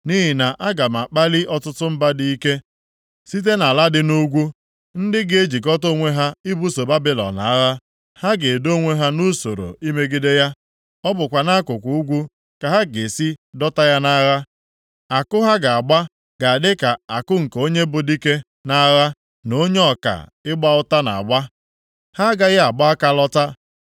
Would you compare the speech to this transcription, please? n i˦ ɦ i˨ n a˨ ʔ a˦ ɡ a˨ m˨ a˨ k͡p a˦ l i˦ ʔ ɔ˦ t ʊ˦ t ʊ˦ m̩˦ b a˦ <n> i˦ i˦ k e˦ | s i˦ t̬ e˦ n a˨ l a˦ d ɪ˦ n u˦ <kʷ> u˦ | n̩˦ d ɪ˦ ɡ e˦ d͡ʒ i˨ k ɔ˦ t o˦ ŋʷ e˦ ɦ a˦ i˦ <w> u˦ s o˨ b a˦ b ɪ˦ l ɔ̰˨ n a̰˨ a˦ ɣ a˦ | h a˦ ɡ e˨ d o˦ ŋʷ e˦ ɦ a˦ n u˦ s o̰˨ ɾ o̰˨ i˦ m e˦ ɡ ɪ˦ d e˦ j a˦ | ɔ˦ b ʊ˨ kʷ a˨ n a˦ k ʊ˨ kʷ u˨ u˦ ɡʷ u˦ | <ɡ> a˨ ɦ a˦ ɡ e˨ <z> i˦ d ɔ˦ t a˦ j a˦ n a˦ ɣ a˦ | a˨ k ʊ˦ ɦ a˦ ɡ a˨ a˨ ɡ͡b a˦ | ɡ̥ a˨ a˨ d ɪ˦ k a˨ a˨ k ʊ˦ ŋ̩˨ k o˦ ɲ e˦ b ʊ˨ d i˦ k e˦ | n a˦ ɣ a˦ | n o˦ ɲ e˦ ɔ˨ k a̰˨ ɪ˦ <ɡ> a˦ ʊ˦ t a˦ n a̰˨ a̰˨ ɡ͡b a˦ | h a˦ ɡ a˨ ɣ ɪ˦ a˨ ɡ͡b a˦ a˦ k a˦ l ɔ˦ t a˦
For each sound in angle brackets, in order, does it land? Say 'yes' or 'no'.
no, no, no, no, no, no

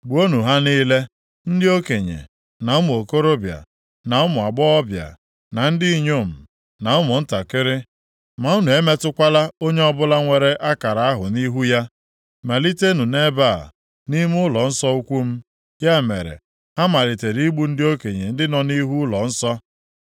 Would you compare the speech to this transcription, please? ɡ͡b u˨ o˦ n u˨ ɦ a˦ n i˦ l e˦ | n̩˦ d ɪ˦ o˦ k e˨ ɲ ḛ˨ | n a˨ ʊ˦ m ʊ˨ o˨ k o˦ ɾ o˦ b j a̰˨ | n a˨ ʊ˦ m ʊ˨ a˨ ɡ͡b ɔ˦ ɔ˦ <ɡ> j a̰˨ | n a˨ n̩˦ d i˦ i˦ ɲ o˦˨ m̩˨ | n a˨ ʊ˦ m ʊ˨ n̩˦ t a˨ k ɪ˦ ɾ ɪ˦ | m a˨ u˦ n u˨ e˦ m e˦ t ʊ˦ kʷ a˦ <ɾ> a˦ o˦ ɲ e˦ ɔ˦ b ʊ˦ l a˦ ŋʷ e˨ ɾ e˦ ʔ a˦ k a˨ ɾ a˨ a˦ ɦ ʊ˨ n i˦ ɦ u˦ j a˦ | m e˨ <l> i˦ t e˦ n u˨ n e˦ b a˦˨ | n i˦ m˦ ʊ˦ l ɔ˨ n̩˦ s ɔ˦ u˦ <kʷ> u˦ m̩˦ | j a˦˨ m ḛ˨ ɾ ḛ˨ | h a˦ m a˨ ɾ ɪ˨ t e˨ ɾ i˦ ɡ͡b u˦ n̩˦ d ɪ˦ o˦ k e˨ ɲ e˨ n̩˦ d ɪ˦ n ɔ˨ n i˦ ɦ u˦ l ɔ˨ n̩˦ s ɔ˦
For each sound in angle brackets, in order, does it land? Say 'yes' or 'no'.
no, no, yes, yes

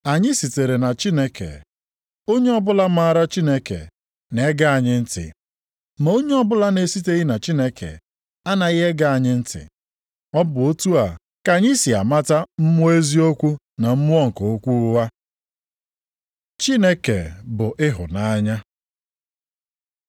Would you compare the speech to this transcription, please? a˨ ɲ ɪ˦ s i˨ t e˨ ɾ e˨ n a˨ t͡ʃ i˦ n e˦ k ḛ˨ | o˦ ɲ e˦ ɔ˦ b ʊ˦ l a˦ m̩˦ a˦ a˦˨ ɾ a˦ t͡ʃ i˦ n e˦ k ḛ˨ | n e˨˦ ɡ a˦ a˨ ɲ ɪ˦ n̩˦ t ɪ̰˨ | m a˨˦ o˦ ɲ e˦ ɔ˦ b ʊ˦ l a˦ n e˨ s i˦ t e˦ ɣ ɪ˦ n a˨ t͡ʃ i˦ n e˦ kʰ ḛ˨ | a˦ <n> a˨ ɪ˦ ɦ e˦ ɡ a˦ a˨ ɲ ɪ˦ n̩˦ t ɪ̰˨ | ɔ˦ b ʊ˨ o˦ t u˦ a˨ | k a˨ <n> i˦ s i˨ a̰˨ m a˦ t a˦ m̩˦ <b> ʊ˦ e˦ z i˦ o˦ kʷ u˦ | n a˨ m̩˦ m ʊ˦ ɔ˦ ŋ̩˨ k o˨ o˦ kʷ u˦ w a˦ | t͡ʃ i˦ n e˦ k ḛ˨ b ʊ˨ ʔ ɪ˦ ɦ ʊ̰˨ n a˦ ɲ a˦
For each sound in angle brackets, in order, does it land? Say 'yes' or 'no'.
yes, no, no

